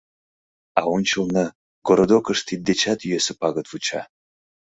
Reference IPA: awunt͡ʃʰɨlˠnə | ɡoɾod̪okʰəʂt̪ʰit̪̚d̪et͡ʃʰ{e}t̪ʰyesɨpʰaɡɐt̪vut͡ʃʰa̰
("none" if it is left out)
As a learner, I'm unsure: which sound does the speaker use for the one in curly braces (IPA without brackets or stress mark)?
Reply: a